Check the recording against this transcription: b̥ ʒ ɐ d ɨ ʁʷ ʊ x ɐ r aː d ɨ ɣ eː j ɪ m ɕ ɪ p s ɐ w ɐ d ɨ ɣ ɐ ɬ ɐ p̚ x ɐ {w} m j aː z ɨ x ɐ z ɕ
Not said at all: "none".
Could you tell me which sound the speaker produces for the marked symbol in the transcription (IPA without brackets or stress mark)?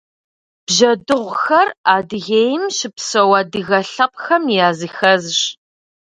none